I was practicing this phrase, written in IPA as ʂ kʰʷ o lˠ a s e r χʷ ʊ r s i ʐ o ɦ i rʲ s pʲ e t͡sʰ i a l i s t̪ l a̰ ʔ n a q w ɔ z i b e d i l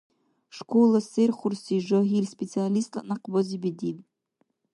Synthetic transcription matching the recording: ʂ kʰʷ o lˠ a s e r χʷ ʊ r s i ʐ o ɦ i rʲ s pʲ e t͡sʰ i a l i s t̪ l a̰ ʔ n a q b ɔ z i b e d i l